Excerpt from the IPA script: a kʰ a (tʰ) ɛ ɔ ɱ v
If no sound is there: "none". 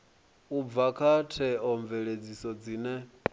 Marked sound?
tʰ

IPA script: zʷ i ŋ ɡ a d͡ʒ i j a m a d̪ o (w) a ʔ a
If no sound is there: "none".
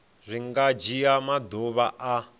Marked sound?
β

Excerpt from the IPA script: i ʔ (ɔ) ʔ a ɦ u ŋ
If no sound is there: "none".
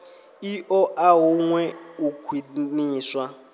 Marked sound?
ɔ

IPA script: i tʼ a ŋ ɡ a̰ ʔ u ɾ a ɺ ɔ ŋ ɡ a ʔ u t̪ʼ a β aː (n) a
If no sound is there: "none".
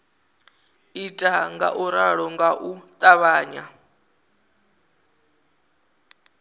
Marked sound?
ɲ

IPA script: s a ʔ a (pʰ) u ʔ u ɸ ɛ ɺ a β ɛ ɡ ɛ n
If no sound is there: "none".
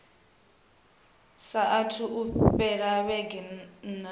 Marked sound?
tʰ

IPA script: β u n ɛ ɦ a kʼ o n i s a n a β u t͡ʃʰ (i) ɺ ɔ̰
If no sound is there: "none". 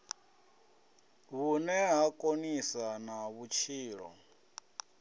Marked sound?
iː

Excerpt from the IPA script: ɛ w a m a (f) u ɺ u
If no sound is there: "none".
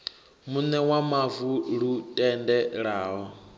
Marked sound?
v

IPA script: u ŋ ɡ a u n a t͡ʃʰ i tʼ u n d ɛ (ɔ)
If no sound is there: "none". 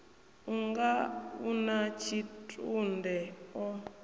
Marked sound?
ɔ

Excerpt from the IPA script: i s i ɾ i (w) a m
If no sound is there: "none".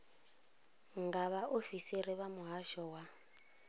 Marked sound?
β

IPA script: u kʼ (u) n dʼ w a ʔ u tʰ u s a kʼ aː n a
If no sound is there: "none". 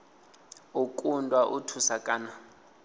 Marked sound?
u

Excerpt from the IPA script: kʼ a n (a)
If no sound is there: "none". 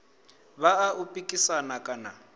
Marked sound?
a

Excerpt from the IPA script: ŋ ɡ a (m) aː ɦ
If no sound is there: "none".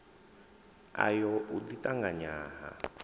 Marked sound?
ɲ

